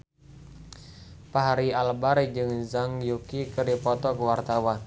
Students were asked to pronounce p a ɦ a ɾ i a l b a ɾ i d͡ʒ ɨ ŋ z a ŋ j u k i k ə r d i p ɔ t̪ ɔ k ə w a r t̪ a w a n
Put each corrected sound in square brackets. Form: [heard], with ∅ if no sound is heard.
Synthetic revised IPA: p a ɦ a ɾ i a l b a ɾ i d͡ʒ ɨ ŋ z a ŋ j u k i k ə r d i p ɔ t̪ ɔ k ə w a r t̪ a w a n